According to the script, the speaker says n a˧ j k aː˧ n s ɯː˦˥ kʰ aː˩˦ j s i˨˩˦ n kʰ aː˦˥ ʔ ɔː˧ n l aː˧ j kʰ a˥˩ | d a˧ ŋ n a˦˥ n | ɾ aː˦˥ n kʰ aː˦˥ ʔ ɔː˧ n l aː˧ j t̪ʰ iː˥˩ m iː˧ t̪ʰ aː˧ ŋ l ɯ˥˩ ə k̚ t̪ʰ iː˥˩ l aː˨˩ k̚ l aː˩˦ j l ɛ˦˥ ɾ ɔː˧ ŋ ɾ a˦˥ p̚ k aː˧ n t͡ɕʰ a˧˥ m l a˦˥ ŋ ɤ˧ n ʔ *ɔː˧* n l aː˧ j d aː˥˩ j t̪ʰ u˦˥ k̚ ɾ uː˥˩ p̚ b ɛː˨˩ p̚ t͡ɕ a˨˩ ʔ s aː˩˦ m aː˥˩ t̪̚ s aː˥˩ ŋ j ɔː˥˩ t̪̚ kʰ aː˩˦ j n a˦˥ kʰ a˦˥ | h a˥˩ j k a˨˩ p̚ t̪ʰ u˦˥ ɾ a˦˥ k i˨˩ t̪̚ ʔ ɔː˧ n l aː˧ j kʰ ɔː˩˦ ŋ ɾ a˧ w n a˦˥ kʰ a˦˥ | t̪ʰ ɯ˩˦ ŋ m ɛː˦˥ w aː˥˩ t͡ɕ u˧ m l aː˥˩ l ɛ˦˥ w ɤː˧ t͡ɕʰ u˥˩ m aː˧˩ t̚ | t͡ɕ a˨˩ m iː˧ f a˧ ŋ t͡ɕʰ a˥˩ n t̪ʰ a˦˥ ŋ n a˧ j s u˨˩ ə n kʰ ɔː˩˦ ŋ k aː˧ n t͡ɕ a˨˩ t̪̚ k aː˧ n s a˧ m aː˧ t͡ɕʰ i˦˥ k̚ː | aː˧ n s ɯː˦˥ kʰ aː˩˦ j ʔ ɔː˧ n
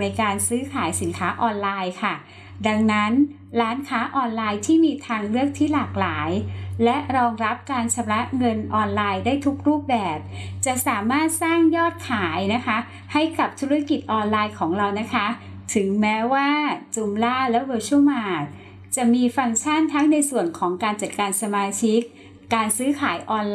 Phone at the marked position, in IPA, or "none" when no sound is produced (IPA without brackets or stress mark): ɔː˧